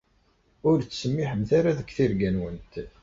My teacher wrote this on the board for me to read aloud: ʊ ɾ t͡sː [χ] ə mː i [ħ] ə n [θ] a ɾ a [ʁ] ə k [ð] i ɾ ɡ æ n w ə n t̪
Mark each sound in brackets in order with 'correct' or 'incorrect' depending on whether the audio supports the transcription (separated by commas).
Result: incorrect, correct, correct, incorrect, incorrect